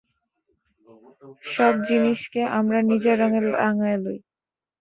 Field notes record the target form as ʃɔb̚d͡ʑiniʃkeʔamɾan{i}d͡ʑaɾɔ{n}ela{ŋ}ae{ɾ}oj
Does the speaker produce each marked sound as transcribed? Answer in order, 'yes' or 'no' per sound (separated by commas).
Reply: yes, no, yes, no